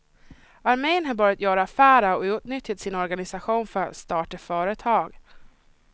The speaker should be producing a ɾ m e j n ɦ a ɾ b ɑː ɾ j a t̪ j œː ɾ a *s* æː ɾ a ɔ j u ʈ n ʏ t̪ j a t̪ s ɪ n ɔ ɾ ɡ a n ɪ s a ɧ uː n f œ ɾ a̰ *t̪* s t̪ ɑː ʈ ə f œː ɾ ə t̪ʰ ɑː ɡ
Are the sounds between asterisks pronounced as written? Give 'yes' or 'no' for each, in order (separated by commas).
no, yes